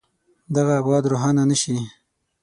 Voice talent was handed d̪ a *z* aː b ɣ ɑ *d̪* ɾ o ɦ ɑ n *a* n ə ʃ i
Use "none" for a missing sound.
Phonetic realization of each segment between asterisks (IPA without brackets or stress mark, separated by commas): ɣ, d̪, a